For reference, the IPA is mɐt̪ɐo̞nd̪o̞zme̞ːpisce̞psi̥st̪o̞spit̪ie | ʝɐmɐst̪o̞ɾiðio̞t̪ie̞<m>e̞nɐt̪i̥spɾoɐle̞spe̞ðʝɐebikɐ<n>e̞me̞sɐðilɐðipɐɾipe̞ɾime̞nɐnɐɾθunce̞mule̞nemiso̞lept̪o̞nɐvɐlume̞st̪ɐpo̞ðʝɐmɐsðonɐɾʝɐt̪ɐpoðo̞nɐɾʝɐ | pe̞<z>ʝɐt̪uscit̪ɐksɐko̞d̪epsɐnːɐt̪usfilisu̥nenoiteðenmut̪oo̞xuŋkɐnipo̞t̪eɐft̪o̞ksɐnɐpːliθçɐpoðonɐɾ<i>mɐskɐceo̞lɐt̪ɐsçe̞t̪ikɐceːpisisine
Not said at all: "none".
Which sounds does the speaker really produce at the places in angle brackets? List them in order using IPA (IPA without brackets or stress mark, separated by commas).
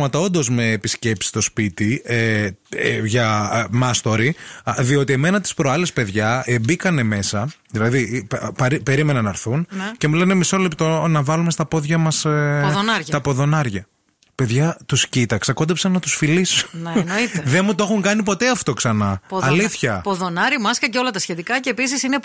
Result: m, n, ð, i